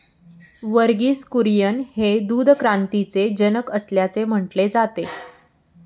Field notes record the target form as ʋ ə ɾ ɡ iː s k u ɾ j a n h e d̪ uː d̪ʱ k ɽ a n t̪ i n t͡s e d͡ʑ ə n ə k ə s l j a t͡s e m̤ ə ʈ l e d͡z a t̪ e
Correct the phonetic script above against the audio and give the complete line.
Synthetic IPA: ʋ ə ɾ ɡ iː s k u ɾ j ə n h e d̪ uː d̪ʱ k ɾ a n t̪ i t͡s e d͡ʑ ə n ə k ə s l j a t͡s e m̤ ə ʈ l e d͡z a t̪ e

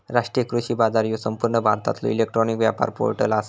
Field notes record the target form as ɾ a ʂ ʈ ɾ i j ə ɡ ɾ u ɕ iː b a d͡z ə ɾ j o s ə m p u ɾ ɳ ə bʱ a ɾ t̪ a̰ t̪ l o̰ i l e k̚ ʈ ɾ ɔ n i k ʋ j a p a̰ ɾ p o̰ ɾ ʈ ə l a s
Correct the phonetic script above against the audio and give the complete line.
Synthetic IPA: ɾ a ʂ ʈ ɾ i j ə k ɾ u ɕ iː b a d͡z a ɾ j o s ə m p u ɾ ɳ ə bʱ a ɾ t̪ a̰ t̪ l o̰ i l e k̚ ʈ ɾ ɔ n i k ʋ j a p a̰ ɾ p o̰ ɾ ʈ ə l a s

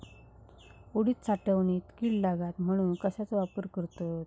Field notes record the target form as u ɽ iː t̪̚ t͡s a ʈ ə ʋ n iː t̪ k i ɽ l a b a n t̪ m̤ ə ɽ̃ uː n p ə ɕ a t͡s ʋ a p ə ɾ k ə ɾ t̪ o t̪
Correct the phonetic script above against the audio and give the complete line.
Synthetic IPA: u ɽ iː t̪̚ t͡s a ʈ ə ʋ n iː t̪ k i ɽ l a ɡ a t̪ m̤ ə ɽ̃ uː n k ə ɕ a t͡s ʋ a p ə ɾ k ə ɾ t̪ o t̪

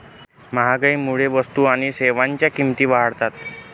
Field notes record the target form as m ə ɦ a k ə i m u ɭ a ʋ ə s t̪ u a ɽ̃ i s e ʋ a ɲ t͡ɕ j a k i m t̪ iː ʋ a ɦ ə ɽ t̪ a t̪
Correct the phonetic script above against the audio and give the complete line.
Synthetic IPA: m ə ɦ a ɡ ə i m u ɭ e ʋ ə s t̪ u a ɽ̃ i s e ʋ a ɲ t͡ɕ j a k i m t̪ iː ʋ a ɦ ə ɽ t̪ a t̪

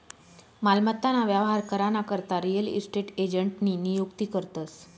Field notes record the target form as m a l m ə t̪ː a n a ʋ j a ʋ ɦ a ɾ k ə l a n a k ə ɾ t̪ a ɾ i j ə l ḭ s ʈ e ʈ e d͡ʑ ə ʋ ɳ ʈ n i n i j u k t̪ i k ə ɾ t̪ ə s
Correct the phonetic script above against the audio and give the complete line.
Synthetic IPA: m a l m ə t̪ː a n a ʋ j a ʋ ɦ a ɾ k ə ɾ a n a k ə ɾ t̪ a ɾ i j ə l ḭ s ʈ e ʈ e d͡ʑ ə ɳ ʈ n i n i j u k t̪ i k ə ɾ t̪ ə s

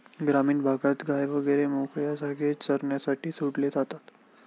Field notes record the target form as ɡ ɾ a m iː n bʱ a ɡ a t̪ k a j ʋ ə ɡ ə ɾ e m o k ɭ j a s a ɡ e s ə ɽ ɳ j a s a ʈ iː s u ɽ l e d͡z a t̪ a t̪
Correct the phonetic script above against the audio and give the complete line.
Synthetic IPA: ɡ ɾ a m iː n bʱ a ɡ a t̪ ɡ a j ʋ ə ɡ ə ɾ e m o k ɭ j a s a ɡ e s ə ɾ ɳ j a s a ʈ iː s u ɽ l e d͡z a t̪ a t̪

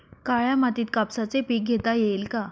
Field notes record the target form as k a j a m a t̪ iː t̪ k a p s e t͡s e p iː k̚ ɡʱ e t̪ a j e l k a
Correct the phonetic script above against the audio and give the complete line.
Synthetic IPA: k a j a m a t̪ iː t̪ k a p s a t͡s e p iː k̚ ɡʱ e t̪ a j e l k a

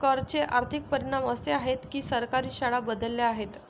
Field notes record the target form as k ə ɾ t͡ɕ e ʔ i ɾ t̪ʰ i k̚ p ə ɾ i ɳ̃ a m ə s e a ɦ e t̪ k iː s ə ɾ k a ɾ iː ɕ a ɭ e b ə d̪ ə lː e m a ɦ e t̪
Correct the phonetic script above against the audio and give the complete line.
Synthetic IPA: k ə ɾ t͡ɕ e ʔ a ɾ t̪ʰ i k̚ p ə ɾ i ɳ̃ a m ə s e a ɦ e t̪ k iː s ə ɾ k a ɾ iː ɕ a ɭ a b ə d̪ ə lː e a ɦ e t̪

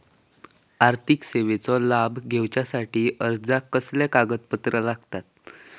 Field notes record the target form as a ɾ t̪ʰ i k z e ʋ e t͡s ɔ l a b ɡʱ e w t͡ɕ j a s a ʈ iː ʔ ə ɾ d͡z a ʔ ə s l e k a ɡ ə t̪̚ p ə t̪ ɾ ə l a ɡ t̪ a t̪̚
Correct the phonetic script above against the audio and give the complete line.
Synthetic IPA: a ɾ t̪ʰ i k s e ʋ e t͡s ɔ l a b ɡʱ e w t͡ɕ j a s a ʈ iː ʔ ə ɾ d͡z a k ə s l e k a ɡ ə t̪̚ p ə t̪ ɾ ə l a ɡ t̪ a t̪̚

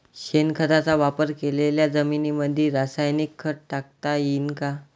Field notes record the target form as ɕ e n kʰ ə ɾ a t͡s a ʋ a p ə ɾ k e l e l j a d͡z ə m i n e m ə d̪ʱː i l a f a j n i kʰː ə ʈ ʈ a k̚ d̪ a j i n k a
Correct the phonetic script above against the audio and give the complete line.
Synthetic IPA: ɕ e n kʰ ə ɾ a t͡s a ʋ a p ə ɾ k e l e l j a d͡z ə m i n i m ə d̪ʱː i ɾ a s a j n i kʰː ə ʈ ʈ a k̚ t̪ a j i n k a

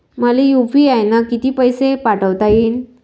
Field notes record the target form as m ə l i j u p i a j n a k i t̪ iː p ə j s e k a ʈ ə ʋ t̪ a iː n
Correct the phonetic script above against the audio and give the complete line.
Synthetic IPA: m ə l i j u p i a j n a k i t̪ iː p ə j s e p a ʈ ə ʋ t̪ a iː n

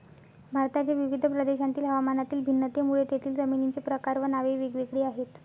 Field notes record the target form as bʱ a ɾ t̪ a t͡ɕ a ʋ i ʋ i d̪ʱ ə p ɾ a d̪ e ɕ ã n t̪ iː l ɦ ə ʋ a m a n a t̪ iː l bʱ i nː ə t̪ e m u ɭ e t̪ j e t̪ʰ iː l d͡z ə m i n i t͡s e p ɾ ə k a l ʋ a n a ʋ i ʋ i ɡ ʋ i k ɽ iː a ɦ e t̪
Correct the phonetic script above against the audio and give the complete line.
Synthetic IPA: bʱ a ɾ t̪ a t͡ɕ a ʋ i ʋ i d̪ʱ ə p ɾ ə d̪ e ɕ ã n t̪ iː l ɦ ə ʋ a m a n a t̪ iː l bʱ i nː ə t̪ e m u ɭ e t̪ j e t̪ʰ iː l d͡z ə m i n i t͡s e p ɾ ə k a ɾ ʋ ə n a ʋ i ʋ i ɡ ʋ i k ɽ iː a ɦ e t̪

